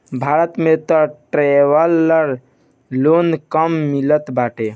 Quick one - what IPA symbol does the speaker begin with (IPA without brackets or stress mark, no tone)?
bʱ